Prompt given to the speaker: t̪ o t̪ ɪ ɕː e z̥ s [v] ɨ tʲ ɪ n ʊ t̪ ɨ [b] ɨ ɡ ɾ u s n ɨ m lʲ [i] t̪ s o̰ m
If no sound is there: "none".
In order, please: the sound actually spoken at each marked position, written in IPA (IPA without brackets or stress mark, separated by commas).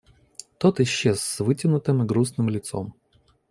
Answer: v, m, ɪ